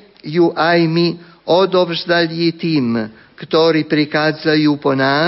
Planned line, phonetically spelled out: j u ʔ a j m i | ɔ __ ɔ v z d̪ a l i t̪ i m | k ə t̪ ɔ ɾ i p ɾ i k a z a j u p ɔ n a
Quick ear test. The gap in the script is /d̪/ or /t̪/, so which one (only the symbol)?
d̪